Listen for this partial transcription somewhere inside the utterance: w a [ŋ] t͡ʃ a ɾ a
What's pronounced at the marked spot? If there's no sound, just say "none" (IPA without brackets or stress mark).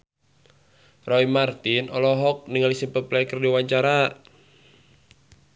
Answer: ɲ